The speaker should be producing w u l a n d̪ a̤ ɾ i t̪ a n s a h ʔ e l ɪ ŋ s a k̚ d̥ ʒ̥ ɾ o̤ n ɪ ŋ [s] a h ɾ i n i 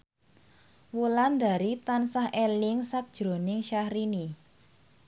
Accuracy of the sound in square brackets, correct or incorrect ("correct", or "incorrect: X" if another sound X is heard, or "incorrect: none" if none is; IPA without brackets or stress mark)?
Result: incorrect: ʃ